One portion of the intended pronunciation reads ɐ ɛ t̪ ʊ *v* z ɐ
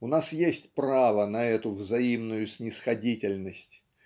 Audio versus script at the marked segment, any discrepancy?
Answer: no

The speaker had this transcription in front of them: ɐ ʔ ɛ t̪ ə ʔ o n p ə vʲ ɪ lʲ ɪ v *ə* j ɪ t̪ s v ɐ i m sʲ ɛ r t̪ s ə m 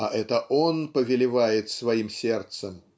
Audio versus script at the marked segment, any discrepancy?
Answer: yes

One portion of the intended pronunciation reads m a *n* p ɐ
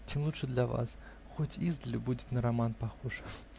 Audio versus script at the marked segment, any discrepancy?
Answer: no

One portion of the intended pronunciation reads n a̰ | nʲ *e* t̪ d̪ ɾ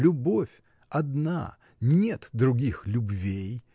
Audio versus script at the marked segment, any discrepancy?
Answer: no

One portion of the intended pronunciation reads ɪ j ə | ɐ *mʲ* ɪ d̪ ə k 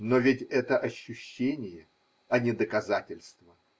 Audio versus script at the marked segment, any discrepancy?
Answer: yes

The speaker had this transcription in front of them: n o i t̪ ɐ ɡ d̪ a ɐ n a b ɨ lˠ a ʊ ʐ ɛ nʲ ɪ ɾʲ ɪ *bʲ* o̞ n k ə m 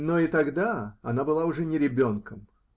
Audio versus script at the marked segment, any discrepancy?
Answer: no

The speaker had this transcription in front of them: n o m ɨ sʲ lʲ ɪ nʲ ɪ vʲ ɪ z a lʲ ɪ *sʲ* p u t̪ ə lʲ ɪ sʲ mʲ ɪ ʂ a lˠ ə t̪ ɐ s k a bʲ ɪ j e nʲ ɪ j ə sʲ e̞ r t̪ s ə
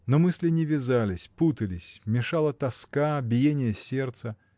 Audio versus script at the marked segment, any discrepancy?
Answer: no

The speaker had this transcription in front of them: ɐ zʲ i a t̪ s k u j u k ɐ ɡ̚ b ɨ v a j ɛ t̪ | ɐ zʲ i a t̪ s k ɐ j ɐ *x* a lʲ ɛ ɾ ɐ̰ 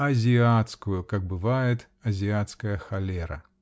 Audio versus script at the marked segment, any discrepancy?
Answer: no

